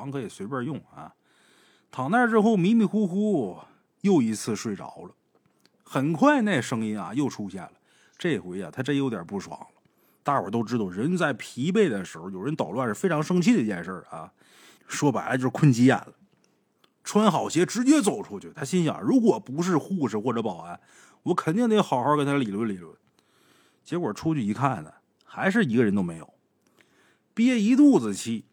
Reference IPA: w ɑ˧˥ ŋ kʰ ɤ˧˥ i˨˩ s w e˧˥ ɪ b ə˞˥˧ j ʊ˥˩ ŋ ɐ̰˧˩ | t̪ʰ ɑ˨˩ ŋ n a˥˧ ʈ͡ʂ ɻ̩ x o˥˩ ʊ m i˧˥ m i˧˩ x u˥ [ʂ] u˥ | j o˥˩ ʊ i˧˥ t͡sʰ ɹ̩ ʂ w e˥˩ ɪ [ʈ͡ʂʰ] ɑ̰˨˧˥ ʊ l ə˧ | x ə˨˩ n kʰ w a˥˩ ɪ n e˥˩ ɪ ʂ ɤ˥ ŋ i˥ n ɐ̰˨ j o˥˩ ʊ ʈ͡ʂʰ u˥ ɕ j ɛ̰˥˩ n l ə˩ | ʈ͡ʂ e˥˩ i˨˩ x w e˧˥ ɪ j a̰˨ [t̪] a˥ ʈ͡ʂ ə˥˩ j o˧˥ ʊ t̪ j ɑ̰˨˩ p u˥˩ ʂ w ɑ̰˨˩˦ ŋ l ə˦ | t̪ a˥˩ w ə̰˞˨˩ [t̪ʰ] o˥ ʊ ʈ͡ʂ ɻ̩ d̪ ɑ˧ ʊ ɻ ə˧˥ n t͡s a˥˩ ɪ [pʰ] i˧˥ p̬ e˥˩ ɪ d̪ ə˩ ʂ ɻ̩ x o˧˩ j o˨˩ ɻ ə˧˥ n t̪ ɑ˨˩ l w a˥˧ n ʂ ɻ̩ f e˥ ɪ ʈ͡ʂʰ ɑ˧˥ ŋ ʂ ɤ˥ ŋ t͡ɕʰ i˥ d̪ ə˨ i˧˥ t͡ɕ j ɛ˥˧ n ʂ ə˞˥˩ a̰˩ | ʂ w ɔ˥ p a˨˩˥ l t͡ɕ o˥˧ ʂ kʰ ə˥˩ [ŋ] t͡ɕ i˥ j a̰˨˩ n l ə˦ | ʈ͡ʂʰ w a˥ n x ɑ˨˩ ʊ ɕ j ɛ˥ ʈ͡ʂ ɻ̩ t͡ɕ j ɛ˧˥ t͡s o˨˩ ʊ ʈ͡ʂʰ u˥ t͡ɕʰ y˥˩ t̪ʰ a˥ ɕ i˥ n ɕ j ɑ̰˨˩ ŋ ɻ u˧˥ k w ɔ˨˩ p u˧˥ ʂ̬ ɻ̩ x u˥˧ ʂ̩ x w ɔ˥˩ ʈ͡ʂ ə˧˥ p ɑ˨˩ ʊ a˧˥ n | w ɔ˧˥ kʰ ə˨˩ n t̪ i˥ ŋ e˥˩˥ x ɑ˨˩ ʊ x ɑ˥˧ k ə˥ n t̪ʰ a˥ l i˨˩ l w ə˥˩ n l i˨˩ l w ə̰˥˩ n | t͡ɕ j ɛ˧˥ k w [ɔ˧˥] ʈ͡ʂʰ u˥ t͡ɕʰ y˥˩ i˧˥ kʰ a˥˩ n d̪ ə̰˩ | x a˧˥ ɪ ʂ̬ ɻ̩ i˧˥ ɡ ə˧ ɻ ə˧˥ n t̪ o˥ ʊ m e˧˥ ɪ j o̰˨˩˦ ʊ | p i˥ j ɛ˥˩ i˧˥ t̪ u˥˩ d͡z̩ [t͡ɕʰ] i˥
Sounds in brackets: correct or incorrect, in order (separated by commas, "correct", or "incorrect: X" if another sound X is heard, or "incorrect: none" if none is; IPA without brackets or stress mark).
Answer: incorrect: x, incorrect: ʈ͡ʂ, incorrect: t̪ʰ, incorrect: t̪, correct, incorrect: n, incorrect: ɔ˨˩, correct